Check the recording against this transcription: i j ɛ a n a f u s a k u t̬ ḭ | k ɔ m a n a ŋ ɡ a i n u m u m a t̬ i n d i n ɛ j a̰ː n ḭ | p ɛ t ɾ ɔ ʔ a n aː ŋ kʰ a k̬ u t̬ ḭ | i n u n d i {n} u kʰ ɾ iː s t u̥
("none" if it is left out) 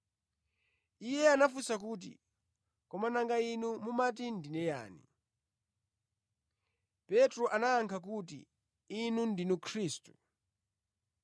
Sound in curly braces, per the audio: n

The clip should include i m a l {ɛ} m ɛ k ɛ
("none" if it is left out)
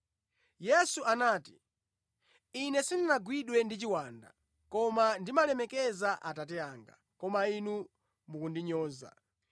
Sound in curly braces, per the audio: ɛ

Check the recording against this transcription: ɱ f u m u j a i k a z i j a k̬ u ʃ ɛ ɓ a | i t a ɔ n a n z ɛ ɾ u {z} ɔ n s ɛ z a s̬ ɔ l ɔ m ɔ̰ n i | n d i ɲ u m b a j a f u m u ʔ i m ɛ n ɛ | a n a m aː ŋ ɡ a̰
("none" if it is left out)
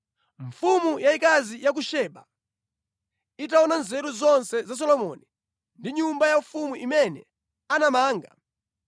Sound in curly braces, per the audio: z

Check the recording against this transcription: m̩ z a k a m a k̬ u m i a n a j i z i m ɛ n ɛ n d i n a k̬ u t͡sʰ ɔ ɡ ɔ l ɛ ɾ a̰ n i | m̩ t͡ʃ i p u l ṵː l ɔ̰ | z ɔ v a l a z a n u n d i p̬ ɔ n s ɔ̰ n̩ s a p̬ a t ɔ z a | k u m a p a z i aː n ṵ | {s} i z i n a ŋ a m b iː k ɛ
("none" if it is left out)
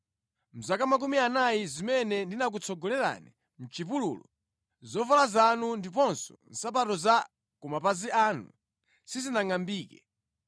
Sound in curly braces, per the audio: s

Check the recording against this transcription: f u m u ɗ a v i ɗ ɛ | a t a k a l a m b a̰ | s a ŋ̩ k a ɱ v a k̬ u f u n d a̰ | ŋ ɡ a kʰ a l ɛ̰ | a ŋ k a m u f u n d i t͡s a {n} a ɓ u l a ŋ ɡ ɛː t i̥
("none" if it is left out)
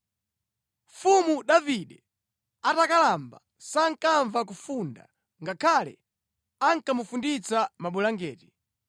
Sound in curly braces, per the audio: m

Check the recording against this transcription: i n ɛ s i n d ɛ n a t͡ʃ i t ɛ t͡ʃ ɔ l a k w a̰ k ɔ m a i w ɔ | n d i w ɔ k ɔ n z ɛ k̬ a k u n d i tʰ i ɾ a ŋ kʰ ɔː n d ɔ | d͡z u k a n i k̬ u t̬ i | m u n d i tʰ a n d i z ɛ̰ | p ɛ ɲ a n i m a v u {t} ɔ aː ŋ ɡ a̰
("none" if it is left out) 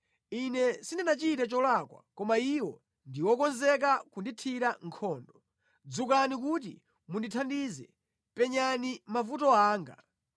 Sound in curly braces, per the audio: t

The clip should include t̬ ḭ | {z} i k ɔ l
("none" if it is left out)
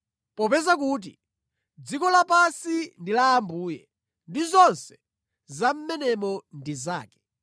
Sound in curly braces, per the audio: d͡z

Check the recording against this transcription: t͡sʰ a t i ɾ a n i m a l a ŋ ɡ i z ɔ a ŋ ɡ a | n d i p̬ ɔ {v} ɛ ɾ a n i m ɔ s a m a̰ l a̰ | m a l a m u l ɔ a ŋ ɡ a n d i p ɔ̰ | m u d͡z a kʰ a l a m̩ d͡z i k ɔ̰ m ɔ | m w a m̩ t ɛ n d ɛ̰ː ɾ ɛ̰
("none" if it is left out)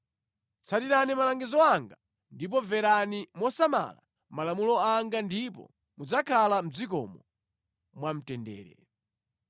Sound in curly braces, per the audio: v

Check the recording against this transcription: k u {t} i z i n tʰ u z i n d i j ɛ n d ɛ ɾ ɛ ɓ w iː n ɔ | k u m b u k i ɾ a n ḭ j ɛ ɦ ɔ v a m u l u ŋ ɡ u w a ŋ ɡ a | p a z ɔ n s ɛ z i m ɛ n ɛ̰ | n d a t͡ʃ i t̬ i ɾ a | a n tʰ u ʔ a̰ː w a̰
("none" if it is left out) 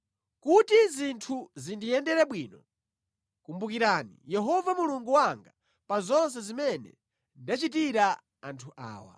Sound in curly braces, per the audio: t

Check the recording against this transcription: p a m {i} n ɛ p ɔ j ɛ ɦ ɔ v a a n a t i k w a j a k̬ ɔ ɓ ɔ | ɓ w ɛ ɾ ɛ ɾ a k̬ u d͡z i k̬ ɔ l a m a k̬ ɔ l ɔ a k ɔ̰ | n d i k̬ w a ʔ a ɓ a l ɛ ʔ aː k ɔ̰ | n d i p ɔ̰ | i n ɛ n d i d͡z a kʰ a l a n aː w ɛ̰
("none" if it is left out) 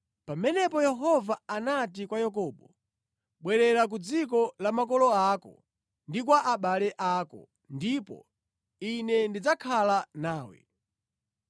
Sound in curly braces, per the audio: ɛ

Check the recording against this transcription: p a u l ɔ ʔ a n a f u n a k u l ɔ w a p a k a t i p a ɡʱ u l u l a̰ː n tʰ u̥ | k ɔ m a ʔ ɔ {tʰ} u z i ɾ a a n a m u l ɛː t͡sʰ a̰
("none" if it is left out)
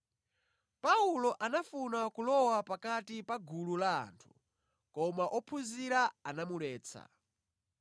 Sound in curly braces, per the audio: pʰ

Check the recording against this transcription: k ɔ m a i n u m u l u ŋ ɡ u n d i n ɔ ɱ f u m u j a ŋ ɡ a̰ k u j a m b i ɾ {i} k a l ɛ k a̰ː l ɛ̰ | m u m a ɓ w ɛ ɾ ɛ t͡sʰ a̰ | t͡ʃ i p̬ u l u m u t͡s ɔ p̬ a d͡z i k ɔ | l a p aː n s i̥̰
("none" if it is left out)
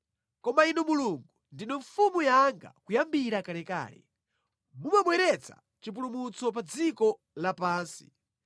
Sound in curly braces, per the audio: a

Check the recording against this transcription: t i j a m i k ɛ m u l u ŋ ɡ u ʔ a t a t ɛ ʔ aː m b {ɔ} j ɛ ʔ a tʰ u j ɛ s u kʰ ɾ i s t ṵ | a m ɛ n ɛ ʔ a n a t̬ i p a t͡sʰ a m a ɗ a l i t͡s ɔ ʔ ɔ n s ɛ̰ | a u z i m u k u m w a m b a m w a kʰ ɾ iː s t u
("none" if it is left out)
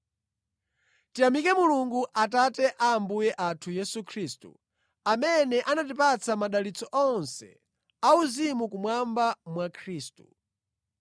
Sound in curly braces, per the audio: u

